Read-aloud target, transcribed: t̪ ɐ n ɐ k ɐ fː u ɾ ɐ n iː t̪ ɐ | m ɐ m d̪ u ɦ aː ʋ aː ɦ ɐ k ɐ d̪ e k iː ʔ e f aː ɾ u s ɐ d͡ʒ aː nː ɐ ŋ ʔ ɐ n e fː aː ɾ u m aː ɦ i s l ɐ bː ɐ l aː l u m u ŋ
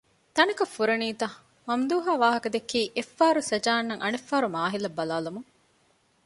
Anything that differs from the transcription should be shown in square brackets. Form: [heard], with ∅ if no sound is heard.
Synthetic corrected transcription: t̪ ɐ n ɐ k ɐ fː u ɾ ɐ n iː t̪ ɐ | m ɐ m d̪ [uː] ɦ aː ʋ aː ɦ ɐ k ɐ d̪ e k iː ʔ e [fː] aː ɾ u s ɐ d͡ʒ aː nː ɐ ŋ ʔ ɐ n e fː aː ɾ u m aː ɦ i [∅] l ɐ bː ɐ l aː l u m u ŋ